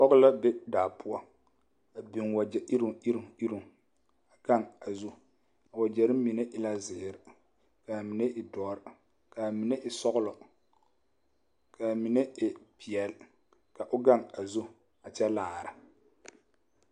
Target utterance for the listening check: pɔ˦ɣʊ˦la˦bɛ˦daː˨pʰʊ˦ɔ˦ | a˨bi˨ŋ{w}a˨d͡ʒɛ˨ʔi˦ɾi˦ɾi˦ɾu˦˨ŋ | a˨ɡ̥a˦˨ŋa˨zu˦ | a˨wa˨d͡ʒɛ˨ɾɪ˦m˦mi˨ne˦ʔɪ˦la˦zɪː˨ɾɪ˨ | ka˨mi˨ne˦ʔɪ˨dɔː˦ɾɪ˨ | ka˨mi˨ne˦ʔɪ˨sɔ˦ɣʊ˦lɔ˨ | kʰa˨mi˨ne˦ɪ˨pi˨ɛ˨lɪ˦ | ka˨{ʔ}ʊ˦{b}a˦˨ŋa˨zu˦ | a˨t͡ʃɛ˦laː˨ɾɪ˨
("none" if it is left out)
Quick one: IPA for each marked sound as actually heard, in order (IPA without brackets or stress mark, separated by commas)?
w, ʔ, ɡ